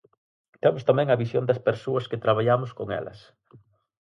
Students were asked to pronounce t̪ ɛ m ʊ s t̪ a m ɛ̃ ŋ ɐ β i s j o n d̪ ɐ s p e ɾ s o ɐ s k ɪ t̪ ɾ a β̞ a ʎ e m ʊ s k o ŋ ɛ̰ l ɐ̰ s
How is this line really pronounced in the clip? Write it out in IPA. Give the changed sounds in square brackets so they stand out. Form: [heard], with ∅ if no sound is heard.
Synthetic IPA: t̪ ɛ m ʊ s t̪ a m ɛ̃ ŋ ɐ β i s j o n d̪ ɐ s p e ɾ s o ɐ s k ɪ t̪ ɾ a β̞ a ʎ [a] m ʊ s k o ŋ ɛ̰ l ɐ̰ s